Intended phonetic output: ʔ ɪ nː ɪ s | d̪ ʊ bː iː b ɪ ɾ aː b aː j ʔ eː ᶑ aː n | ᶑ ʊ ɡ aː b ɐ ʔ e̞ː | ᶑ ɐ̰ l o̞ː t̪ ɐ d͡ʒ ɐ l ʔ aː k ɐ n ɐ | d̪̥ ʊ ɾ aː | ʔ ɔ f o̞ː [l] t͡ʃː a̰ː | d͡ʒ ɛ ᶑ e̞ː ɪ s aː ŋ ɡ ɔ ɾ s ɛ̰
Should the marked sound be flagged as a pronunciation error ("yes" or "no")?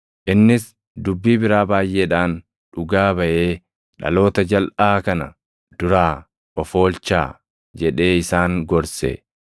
no